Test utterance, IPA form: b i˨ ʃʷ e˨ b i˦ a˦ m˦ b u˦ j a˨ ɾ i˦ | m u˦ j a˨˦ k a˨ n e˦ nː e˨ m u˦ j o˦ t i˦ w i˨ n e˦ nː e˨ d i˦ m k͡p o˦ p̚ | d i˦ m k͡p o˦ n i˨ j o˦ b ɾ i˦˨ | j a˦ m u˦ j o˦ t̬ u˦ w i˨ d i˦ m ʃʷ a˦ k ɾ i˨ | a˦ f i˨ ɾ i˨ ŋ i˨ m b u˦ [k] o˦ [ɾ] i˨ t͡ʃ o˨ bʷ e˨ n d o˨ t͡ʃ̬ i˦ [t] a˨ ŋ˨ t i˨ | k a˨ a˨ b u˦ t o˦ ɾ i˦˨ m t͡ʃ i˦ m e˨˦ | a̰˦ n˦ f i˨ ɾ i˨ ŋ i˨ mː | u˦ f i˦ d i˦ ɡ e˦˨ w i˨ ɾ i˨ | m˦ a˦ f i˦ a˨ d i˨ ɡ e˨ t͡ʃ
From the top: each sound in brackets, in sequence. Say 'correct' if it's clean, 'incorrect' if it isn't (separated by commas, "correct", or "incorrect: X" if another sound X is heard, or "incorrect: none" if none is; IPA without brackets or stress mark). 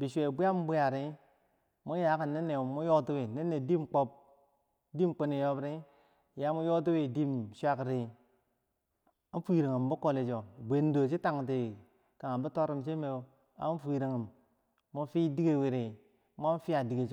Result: correct, incorrect: l, correct